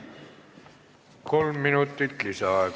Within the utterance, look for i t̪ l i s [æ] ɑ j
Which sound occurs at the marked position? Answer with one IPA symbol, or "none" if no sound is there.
æ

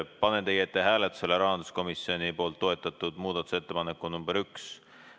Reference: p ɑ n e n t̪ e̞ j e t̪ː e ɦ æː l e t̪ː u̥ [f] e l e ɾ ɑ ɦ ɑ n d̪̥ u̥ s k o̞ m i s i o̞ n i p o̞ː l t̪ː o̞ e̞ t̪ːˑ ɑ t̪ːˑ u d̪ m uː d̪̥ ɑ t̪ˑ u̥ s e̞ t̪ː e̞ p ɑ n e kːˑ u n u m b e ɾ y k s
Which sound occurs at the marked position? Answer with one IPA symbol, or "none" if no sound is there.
s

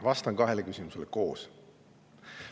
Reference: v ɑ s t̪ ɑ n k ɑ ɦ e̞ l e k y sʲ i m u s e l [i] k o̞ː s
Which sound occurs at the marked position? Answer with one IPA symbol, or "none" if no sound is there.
e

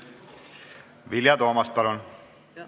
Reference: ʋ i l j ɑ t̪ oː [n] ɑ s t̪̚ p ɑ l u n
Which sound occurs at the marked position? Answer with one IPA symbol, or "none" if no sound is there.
m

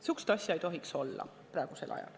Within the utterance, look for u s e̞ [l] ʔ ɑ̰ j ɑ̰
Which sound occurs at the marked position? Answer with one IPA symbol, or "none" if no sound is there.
l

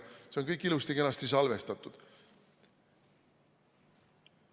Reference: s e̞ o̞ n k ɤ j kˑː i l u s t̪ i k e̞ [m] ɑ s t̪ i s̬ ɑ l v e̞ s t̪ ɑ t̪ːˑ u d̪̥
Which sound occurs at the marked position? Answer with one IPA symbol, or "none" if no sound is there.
n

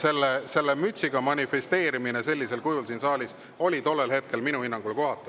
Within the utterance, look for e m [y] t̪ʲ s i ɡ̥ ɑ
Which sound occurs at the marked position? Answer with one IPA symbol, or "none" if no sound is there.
y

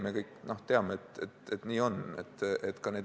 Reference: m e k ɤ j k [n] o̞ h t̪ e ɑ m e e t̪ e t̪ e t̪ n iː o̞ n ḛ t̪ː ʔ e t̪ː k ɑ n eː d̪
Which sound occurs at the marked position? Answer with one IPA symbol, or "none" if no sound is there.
n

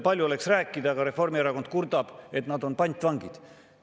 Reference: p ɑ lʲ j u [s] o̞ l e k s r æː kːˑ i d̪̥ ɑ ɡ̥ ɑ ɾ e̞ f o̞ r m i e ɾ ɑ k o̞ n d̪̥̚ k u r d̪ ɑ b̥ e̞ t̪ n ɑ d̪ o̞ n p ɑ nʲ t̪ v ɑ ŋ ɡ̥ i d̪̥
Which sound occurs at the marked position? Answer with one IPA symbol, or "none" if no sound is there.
none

